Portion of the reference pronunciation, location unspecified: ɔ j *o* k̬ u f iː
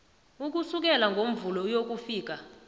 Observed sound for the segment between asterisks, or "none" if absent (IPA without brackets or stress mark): o